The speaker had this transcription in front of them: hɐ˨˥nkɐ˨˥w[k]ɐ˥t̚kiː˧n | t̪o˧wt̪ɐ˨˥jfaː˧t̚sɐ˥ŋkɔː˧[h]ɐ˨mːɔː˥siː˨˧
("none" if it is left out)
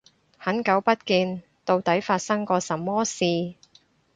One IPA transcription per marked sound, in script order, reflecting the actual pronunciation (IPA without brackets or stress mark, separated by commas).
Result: p, s